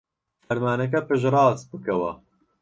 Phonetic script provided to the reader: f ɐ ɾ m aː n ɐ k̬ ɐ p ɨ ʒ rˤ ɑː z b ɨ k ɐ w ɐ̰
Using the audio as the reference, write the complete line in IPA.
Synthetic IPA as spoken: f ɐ ɾ m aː n ɐ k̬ ɐ p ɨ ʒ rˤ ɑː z b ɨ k ɐ w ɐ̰